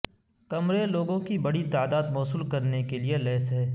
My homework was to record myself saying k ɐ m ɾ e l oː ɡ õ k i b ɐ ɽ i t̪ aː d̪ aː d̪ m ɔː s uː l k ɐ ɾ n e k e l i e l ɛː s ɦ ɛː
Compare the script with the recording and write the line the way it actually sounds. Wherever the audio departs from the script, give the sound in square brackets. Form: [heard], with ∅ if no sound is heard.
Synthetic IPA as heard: k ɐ m ɾ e l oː ɡ õ k i b ɐ ɽ i t̪ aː d̪ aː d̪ m ɔː s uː l k ɐ ɾ n e k e l i e l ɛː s ɦ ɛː